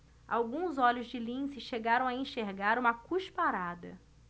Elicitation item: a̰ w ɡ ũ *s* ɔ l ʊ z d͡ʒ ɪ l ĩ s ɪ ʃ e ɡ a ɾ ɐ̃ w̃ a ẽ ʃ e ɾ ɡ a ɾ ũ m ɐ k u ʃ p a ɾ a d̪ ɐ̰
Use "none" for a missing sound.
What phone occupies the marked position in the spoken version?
z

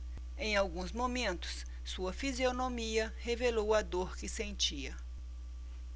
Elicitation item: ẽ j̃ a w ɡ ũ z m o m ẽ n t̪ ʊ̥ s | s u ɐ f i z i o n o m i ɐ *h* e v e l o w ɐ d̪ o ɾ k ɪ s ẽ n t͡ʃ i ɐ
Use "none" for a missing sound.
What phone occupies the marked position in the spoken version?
h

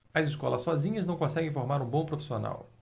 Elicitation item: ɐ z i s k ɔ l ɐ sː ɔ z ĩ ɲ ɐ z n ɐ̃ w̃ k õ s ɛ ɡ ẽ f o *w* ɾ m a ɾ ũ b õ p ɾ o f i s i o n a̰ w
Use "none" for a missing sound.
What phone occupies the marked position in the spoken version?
none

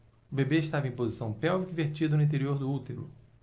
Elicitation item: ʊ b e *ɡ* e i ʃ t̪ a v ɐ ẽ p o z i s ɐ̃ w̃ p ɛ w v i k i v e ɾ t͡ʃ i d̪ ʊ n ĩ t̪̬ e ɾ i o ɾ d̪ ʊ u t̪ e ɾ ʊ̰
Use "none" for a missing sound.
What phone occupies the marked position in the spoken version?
b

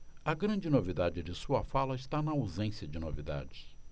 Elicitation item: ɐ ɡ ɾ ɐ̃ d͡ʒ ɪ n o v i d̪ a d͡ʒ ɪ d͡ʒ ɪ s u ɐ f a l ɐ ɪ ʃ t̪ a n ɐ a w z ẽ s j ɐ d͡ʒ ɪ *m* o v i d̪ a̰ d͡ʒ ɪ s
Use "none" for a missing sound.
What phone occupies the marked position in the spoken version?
n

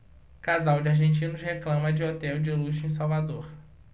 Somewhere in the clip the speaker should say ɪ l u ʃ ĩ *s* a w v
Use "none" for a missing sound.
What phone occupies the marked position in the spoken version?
s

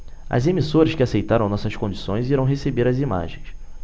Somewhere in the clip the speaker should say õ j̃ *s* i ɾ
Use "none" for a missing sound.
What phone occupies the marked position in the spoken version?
z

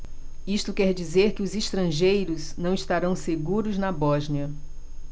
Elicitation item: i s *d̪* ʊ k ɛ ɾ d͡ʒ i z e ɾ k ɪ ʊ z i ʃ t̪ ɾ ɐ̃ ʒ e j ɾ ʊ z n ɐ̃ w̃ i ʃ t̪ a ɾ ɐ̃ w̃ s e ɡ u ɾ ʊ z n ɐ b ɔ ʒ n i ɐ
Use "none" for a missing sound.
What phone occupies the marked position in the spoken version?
t̪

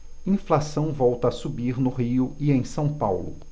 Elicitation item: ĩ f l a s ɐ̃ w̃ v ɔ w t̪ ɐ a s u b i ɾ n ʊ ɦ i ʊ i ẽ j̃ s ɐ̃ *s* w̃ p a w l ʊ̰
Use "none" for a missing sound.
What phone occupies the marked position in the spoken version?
none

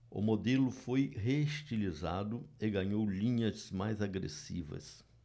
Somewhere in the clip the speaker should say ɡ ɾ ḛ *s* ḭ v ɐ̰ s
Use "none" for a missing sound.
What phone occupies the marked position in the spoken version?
s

